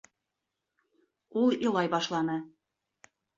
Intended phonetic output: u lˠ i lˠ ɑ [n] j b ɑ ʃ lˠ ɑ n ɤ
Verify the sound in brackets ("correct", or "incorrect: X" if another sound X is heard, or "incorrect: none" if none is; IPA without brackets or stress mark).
incorrect: none